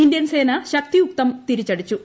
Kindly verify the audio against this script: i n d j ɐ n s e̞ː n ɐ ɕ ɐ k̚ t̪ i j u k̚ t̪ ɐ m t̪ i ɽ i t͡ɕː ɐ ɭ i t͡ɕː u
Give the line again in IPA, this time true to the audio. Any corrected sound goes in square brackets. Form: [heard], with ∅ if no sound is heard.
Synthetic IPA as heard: i n d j ɐ n s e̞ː n ɐ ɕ ɐ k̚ t̪ i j u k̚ t̪ ɐ m t̪ i [ɾ] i t͡ɕː ɐ [ɽ] i t͡ɕː u